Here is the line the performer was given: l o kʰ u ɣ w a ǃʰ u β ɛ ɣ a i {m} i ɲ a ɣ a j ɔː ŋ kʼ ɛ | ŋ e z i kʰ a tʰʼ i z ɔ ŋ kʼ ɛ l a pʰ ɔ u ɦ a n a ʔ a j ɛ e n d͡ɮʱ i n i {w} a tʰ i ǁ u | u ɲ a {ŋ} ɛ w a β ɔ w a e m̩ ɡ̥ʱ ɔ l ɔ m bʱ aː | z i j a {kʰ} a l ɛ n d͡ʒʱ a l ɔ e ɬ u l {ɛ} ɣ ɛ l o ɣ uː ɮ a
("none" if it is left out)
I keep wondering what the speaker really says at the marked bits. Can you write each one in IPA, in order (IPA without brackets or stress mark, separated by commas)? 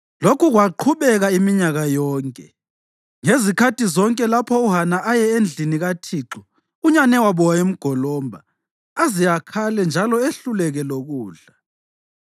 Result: m, ɣ, n, kʰ, ɛ